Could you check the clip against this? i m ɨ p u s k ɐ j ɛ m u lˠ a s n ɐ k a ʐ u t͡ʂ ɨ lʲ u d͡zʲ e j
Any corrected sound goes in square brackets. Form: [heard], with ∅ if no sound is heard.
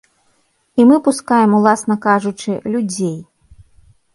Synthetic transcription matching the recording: i m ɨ p u s k [a] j ɛ m u lˠ a s n ɐ k a ʐ u t͡ʂ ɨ lʲ u d͡zʲ e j